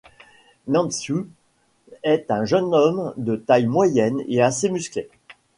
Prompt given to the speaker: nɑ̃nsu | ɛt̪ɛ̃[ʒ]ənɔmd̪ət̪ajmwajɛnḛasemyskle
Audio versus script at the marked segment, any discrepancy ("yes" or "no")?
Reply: no